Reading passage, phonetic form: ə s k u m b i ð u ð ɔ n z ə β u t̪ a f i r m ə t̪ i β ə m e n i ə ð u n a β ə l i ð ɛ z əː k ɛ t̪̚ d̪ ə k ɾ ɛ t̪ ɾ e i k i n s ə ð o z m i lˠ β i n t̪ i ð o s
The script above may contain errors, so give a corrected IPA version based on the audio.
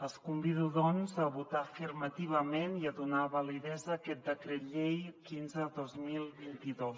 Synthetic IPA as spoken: ə s k u m b i ð u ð ɔ n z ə β u t̪ a f i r m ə t̪ i β ə m e n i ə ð u n a β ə l i ð ɛ z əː k ɛ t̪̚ d̪ ə k ɾ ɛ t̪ ʎ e j k i n z ə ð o z m i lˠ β i n t̪ i ð o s